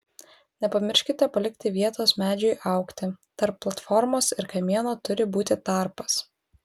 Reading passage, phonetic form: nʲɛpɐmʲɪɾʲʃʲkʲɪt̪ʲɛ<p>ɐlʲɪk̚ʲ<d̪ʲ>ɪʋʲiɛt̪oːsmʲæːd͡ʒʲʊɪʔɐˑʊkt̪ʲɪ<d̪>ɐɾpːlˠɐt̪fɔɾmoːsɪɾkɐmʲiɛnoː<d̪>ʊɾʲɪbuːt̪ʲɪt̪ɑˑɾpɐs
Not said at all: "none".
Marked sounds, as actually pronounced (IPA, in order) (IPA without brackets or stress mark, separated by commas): p, t̪ʲ, t̪, t̪